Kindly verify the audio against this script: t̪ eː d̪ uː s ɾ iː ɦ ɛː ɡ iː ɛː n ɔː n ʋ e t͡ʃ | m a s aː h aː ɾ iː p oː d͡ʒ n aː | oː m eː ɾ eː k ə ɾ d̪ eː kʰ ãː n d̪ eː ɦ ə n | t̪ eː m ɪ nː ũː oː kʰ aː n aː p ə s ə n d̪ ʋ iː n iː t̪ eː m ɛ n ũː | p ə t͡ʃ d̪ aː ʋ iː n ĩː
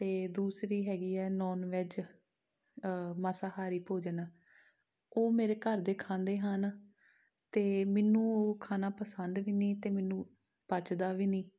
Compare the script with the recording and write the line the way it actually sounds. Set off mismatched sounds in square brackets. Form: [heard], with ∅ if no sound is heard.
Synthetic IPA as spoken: t̪ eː d̪ uː s ɾ iː ɦ ɛː ɡ iː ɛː n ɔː n ʋ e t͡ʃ | m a s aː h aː ɾ iː p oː d͡ʒ n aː | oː m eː ɾ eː k ə ɾ d̪ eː kʰ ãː n d̪ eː ɦ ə n | t̪ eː m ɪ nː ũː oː kʰ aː n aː p ə s ə n d̪ ʋ iː n iː t̪ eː m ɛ n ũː | p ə t͡ʃ d̪ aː ʋ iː n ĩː